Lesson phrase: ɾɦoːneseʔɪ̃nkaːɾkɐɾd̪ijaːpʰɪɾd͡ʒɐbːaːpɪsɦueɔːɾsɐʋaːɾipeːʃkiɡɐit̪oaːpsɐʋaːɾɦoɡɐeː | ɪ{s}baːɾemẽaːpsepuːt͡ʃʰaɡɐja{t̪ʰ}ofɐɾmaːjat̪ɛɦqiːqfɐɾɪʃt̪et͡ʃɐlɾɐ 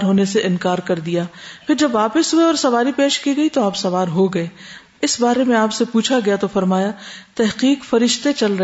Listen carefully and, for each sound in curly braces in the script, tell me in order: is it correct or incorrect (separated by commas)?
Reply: correct, incorrect